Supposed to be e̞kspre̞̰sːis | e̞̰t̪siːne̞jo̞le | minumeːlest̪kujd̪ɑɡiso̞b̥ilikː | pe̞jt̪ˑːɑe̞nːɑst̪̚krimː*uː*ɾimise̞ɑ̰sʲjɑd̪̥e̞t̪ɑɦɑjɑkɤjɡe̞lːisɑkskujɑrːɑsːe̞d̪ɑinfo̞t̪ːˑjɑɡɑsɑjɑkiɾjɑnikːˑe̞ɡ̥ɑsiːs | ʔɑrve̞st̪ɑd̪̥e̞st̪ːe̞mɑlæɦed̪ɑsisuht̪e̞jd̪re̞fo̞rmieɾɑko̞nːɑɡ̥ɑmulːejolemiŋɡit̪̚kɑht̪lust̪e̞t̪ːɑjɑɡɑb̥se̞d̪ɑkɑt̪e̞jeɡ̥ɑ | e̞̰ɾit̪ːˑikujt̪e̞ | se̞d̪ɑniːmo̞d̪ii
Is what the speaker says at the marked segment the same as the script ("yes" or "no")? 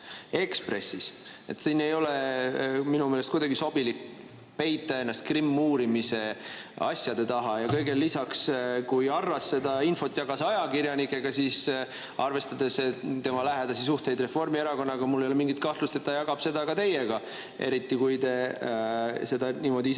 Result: yes